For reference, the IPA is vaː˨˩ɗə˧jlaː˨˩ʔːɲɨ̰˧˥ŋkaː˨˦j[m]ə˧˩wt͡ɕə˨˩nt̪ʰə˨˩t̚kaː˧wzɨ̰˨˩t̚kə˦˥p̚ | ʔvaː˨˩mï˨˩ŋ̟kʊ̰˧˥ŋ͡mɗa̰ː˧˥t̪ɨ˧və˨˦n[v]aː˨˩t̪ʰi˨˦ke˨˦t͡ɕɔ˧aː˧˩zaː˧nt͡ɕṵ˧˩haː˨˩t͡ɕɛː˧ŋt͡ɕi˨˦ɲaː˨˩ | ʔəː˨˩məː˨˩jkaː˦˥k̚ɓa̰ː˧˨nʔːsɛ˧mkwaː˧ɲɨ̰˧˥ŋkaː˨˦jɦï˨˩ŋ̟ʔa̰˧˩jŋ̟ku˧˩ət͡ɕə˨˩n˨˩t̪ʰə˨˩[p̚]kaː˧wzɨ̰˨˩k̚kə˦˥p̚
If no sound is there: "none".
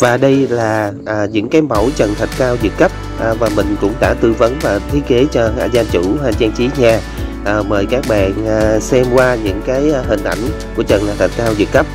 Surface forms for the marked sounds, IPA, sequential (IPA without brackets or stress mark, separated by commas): m, v, t̚